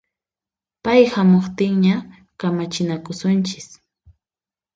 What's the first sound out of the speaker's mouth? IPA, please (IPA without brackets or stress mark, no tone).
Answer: p